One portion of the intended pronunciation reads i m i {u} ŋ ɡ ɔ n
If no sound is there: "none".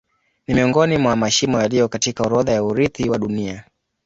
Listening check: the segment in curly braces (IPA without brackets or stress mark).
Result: ɔ